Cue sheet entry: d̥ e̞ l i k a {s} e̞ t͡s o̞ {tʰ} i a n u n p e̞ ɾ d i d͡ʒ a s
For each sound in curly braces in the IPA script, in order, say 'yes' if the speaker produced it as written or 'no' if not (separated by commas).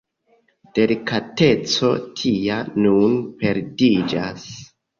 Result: no, yes